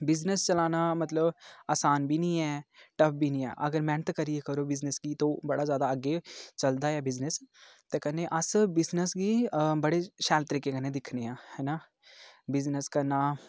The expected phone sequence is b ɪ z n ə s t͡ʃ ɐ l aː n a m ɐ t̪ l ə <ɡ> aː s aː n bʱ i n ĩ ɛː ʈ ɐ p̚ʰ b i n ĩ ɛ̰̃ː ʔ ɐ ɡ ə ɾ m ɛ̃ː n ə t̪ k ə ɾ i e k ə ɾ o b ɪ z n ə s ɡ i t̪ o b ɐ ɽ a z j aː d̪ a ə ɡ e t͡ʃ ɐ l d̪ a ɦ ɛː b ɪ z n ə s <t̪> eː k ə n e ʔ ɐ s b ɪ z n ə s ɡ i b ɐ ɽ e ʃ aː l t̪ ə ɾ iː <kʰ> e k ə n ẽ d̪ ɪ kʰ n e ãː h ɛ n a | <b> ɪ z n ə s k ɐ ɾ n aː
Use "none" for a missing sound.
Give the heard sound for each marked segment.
b, t̪, k, b

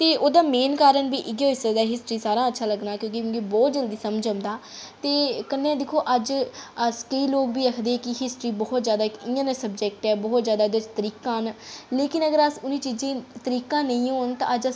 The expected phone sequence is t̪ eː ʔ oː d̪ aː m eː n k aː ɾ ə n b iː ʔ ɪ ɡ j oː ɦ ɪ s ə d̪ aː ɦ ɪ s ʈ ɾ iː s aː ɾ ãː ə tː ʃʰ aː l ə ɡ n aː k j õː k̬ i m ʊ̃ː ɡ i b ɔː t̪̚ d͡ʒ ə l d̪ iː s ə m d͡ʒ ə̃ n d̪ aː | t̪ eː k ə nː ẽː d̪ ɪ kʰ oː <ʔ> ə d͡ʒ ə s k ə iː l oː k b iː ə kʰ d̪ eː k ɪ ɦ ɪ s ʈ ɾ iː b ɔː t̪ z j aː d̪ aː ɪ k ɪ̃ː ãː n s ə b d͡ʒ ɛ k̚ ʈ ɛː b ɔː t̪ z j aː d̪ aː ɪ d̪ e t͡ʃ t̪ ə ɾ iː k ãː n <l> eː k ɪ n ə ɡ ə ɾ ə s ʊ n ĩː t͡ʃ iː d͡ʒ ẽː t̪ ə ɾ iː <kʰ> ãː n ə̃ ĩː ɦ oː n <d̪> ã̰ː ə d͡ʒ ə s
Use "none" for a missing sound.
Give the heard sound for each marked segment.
ʔ, l, k, t̪

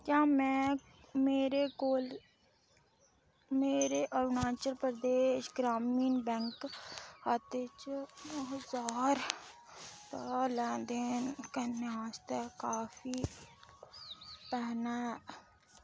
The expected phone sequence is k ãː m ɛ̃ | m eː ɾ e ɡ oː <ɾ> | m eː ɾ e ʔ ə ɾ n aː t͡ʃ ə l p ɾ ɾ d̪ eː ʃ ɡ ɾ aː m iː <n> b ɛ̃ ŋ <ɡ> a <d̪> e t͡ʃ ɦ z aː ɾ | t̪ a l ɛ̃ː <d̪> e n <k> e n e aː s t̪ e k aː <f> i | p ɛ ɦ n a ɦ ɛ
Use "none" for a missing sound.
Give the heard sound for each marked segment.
l, n, k, t̪, d̪, k, f

